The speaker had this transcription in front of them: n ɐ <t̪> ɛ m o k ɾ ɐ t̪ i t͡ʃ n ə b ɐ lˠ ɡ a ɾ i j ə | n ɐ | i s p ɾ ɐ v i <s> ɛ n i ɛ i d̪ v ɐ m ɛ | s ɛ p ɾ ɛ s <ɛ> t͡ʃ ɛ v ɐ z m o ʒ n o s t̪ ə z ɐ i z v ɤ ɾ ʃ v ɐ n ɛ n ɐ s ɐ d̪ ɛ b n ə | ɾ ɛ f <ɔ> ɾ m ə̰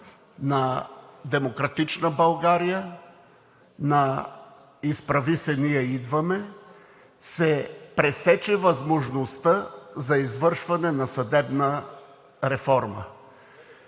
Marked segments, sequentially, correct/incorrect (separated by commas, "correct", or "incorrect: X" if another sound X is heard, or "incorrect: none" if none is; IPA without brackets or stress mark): incorrect: d̪, correct, correct, correct